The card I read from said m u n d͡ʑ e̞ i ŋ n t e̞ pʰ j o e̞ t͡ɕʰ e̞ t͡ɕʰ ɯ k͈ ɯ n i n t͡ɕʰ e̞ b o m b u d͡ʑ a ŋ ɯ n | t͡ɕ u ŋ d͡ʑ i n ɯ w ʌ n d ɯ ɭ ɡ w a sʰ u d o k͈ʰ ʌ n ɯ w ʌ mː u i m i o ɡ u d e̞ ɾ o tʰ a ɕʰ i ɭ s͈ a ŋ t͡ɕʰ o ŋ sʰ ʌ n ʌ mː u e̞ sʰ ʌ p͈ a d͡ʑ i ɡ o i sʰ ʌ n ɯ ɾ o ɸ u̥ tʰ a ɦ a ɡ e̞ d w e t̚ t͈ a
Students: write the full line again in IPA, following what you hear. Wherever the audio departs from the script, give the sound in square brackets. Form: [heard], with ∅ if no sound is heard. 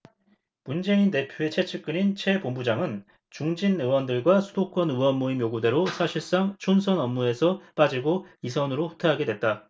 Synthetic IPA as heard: m u n d͡ʑ e̞ i [∅] n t e̞ pʰ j o e̞ t͡ɕʰ e̞ t͡ɕʰ ɯ k͈ ɯ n i n t͡ɕʰ e̞ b o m b u d͡ʑ a ŋ ɯ n | t͡ɕ u ŋ d͡ʑ i n ɯ w ʌ n d ɯ ɭ ɡ w a sʰ u d o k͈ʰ ʌ n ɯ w ʌ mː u i m [j] o ɡ u d e̞ ɾ o [sʰ] a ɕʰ i ɭ s͈ a ŋ t͡ɕʰ o [n] sʰ ʌ n ʌ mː u e̞ sʰ ʌ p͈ a d͡ʑ i ɡ o i sʰ ʌ n ɯ ɾ o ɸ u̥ tʰ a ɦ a ɡ e̞ d w e t̚ t͈ a